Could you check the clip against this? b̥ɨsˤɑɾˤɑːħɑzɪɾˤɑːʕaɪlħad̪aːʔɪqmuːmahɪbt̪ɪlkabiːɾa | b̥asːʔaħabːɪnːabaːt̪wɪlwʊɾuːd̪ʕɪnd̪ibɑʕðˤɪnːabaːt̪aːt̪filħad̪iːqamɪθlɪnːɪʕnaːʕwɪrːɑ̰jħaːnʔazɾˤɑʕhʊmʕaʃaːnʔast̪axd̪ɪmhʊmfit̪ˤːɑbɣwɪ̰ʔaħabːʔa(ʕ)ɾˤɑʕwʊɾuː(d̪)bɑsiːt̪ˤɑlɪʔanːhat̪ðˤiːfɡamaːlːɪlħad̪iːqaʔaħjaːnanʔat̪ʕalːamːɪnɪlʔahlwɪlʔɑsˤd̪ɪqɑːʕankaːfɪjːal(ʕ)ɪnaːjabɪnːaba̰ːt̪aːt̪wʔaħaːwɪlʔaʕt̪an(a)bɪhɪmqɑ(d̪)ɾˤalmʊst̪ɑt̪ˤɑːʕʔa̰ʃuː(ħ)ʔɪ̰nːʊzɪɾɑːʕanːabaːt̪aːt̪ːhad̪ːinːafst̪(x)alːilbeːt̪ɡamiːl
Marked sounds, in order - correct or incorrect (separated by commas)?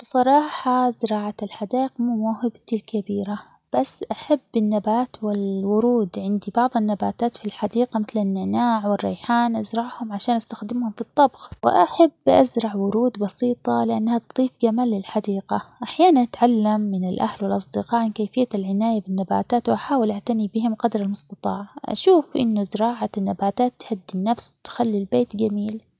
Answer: incorrect, correct, correct, incorrect, correct, incorrect, correct